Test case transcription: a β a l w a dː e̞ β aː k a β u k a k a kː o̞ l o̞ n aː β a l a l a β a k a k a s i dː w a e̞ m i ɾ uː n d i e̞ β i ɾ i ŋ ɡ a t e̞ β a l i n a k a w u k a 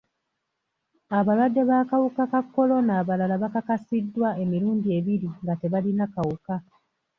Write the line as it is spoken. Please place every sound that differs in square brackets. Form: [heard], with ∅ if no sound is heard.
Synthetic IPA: a β a l w a dː e̞ β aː k a [w] u k a k a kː o̞ l o̞ n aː β a l a l a β a k a k a s i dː w a e̞ m i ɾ uː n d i e̞ β i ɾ i ŋ ɡ a t e̞ β a l i n a k a w u k a